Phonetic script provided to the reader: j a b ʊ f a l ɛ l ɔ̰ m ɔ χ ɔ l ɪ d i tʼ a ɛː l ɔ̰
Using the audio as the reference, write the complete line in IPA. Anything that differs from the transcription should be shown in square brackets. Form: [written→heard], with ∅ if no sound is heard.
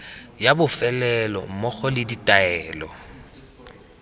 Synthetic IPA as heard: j a b ʊ f [a→ɛ] l ɛ l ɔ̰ m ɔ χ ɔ l ɪ d i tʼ a ɛː l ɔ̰